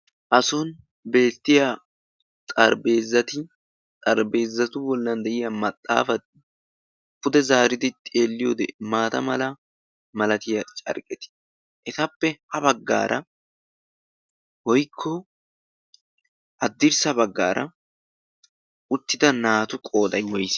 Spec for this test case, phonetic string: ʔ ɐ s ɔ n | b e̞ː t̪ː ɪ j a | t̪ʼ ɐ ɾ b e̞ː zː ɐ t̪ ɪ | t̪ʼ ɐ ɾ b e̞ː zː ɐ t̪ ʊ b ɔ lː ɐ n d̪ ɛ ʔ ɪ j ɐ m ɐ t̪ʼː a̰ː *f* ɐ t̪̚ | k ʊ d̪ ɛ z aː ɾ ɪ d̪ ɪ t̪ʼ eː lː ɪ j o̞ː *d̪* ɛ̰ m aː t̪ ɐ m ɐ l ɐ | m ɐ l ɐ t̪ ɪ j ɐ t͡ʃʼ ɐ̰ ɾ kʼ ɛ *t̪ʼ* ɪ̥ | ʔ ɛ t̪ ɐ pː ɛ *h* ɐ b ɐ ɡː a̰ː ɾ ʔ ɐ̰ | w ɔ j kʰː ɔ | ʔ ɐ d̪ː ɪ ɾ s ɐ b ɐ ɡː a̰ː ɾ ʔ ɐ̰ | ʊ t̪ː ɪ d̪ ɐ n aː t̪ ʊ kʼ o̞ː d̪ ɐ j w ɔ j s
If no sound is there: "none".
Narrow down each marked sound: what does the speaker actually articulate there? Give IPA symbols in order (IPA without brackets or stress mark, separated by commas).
f, d̪, t̪, h